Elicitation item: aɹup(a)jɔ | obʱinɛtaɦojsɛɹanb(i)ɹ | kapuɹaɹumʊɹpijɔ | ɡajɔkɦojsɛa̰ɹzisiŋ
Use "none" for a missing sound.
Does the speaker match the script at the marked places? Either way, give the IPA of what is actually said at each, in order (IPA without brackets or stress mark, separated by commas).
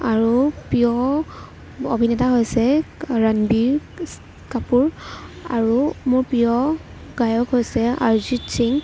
i, i